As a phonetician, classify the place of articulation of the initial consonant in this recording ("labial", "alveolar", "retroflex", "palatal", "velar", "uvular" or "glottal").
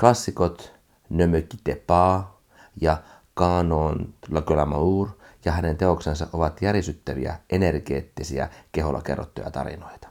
velar